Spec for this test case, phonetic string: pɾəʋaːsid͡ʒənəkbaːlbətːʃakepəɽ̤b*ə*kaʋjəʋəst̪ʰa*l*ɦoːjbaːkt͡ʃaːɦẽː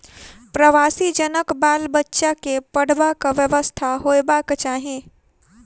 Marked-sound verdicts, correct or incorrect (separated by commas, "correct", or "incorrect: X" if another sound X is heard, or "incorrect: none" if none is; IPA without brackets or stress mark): incorrect: a, incorrect: none